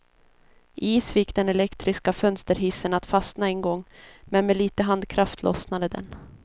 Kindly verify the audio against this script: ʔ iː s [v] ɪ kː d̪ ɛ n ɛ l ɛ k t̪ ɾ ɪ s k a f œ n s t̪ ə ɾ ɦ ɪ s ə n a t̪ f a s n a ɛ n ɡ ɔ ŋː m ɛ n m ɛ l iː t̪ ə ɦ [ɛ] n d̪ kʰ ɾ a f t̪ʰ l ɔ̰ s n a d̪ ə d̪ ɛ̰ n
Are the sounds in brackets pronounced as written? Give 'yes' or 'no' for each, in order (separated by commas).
no, no